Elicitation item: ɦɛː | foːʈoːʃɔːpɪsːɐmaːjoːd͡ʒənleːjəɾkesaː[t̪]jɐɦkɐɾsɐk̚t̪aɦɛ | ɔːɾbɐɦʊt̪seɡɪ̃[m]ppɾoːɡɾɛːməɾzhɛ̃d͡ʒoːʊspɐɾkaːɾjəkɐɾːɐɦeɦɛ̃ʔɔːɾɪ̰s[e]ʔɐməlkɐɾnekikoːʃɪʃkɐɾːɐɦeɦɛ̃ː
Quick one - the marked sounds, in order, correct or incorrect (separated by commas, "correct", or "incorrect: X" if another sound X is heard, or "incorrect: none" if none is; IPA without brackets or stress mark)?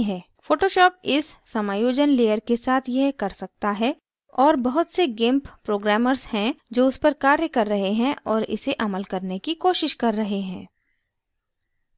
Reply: incorrect: t̪ʰ, correct, correct